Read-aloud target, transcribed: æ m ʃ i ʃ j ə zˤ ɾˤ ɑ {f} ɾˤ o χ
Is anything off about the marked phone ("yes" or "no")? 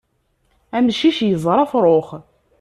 no